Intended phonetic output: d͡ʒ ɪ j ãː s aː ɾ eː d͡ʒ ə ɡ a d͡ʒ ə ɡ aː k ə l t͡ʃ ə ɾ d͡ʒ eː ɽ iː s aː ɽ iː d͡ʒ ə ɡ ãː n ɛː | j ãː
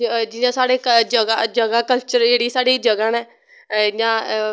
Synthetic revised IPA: d͡ʒ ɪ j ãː s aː ɽ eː d͡ʒ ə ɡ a d͡ʒ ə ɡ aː k ə l t͡ʃ ə ɾ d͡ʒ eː ɽ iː s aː ɽ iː d͡ʒ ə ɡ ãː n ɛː | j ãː